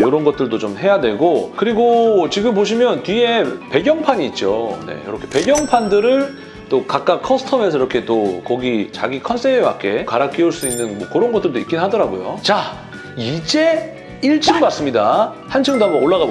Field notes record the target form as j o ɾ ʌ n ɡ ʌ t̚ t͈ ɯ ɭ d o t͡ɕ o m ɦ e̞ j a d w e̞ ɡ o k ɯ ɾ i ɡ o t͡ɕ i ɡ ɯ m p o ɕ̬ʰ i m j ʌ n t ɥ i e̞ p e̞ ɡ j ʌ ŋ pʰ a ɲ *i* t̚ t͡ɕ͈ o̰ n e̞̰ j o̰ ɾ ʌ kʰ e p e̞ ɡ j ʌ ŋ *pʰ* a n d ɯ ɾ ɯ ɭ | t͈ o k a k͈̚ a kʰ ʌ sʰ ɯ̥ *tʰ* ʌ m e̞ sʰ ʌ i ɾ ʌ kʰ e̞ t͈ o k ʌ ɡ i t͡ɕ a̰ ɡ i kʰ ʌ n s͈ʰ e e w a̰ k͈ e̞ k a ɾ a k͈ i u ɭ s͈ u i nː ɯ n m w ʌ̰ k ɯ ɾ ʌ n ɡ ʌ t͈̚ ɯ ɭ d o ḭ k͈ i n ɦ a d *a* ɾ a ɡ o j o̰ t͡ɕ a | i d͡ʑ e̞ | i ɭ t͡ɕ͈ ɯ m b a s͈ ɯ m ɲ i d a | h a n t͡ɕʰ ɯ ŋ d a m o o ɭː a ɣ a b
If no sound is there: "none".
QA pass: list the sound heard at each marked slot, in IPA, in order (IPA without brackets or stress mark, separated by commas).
iː, pʰ, tʰ, ʌ